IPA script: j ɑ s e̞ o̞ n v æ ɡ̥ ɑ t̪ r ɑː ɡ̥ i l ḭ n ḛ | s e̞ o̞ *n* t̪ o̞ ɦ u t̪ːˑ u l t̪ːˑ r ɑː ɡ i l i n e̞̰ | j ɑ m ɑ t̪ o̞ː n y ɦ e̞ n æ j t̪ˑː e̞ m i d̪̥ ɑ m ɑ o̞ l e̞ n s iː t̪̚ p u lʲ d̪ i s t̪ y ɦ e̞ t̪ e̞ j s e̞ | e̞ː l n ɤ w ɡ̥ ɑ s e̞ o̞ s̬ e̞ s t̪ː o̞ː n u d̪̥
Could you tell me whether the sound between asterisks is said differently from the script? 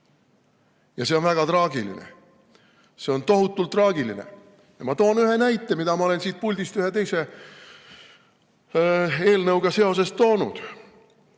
no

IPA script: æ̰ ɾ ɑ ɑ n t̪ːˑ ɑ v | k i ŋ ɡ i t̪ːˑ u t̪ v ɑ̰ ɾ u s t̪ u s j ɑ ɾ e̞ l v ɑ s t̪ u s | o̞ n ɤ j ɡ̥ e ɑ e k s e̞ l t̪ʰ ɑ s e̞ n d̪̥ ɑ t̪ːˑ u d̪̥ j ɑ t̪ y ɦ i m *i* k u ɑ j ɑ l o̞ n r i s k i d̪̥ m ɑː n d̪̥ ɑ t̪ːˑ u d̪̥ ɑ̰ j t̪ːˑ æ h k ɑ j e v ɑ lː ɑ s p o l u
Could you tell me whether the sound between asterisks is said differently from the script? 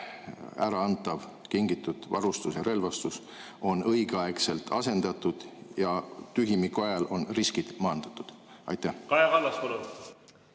no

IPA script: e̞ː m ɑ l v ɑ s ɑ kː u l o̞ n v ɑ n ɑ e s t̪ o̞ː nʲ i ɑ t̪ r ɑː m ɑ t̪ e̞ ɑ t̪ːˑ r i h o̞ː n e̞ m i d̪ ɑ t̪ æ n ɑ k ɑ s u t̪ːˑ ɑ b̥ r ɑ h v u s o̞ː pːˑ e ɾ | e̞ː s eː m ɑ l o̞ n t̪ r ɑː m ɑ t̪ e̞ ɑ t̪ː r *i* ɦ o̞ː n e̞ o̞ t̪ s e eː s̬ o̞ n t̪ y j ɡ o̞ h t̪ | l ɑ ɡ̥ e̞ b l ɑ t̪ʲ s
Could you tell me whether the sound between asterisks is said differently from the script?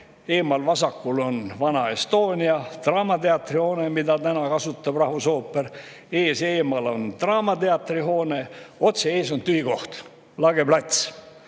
no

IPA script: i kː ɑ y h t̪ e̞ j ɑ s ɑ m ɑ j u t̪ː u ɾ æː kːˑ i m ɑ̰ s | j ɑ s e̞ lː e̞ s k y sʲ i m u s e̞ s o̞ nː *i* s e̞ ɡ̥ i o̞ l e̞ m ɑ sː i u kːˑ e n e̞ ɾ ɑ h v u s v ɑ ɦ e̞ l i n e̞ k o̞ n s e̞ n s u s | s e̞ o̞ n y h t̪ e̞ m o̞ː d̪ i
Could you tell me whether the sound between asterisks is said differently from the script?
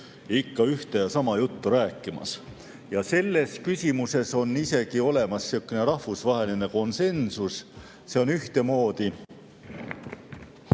no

